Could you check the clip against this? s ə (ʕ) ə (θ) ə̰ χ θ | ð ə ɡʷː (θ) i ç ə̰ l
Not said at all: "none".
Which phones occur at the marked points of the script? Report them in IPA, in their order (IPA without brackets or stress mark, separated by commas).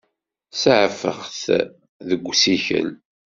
ʕ, f, s